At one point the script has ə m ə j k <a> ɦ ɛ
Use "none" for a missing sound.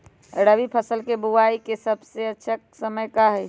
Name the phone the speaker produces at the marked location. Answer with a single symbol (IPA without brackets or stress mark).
a